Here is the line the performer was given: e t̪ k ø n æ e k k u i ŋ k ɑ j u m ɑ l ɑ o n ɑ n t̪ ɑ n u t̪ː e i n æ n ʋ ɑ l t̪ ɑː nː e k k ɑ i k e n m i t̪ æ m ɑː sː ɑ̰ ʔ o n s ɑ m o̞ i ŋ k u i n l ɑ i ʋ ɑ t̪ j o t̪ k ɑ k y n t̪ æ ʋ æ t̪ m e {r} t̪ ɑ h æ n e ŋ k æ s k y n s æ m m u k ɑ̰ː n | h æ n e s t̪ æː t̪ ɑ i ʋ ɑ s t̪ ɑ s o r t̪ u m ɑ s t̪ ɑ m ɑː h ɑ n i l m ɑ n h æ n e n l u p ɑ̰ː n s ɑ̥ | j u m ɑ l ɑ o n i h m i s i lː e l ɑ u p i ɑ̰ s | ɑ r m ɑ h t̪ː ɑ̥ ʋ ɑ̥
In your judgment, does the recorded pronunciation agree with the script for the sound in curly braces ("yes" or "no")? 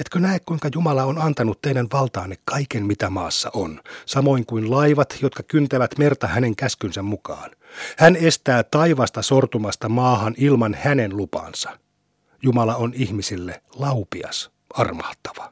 yes